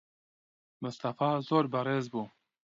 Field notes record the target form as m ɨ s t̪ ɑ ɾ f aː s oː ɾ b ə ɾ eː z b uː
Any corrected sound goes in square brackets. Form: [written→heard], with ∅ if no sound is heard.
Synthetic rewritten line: m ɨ s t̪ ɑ [ɾ→∅] f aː [s→z] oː ɾ b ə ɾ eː z b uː